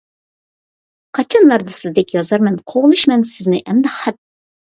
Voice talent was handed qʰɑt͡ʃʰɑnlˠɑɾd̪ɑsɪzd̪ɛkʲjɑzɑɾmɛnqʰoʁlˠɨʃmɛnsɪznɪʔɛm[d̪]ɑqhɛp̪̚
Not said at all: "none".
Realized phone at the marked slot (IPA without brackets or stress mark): d̪